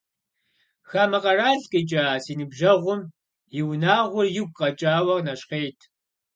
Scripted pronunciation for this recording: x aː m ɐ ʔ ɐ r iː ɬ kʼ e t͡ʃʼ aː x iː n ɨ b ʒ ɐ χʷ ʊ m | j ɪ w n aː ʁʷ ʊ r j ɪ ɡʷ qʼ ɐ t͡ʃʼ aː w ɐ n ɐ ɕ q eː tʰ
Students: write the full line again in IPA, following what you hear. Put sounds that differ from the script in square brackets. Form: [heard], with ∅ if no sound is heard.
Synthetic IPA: x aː m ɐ [q] ɐ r [aː] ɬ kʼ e t͡ʃʼ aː [s] iː n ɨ b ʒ ɐ [ʁʷ] ʊ m | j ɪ w n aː ʁʷ ʊ r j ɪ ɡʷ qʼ ɐ t͡ʃʼ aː w ɐ n ɐ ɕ q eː tʰ